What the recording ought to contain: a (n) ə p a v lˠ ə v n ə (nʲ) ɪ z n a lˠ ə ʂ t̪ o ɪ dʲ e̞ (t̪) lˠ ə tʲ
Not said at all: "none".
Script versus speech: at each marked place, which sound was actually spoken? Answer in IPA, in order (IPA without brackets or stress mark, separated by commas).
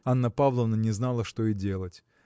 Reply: nː, nʲ, none